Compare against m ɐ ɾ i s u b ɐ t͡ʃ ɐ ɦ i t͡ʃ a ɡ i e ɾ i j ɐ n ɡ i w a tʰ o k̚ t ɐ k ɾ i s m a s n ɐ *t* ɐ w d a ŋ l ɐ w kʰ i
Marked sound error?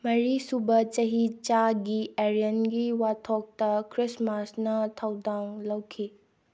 yes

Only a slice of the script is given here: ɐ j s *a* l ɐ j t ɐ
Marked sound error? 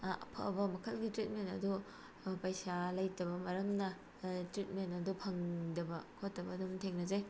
no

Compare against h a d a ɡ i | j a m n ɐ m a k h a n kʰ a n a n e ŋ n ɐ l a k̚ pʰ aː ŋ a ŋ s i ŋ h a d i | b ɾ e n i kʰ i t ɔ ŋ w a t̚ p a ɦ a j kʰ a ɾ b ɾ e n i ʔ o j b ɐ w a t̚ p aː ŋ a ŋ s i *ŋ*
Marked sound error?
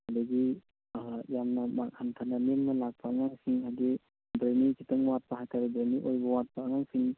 no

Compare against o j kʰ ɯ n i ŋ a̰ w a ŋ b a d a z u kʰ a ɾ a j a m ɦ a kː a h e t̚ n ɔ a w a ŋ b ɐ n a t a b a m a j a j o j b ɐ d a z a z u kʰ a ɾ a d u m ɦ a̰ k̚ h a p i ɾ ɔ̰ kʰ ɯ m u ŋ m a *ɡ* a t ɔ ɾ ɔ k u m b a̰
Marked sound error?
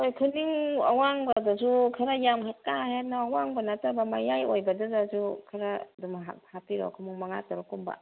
yes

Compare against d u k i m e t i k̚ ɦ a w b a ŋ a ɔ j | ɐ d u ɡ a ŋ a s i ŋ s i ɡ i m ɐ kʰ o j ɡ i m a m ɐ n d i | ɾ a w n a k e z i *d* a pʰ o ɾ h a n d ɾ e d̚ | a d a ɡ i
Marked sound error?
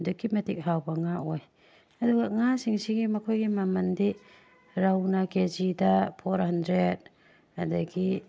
no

